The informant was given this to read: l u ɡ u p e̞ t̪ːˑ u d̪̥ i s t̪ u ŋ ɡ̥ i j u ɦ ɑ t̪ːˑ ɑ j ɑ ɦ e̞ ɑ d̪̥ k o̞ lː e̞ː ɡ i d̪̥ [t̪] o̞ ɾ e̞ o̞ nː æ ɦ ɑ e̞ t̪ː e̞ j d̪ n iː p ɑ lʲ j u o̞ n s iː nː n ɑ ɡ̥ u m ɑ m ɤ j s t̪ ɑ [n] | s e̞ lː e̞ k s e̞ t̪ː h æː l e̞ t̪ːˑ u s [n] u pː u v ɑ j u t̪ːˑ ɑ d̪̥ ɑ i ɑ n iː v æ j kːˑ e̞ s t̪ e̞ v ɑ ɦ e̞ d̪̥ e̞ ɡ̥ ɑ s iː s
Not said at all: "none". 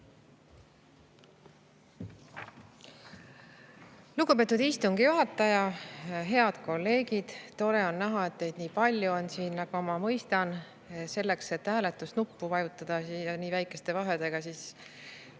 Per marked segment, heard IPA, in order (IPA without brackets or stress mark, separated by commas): t̪, n, n